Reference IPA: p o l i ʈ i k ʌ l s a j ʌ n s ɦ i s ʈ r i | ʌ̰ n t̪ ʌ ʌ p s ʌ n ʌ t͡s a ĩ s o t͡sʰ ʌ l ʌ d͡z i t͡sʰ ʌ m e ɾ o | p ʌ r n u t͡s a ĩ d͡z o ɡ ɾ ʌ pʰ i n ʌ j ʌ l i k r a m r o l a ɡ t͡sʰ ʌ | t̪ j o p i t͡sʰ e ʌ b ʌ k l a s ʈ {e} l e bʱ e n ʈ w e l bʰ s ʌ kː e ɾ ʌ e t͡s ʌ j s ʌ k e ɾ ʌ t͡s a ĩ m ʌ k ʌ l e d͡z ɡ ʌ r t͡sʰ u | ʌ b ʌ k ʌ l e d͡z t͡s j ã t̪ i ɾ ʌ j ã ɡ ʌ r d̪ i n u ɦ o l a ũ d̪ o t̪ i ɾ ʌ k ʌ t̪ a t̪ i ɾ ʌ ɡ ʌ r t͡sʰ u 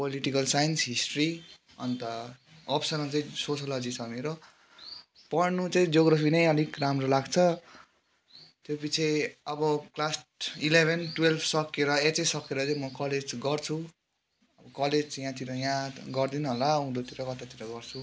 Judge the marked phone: incorrect: i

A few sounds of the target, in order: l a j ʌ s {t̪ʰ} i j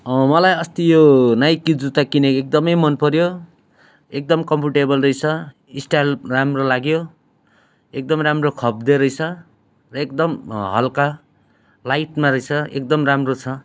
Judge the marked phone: incorrect: t̪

